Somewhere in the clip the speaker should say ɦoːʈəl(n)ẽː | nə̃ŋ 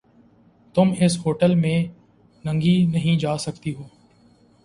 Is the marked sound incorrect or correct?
incorrect